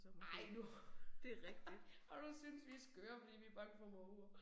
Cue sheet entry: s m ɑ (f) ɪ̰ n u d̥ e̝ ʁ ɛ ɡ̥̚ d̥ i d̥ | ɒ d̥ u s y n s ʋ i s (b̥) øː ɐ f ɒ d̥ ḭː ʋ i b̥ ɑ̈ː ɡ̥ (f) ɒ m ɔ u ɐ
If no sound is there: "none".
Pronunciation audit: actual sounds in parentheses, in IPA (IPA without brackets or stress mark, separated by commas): none, ɡ̥, f